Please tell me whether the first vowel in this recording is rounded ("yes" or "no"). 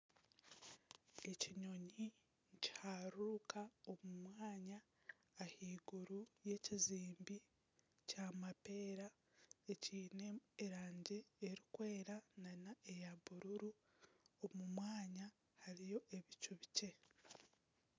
no